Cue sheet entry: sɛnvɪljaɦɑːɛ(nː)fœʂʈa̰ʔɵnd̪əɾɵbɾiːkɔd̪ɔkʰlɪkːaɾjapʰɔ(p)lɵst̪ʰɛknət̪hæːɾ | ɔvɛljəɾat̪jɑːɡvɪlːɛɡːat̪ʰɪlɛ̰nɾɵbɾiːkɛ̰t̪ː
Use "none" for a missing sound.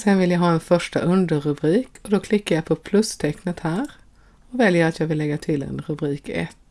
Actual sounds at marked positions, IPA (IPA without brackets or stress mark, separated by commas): n, pʰ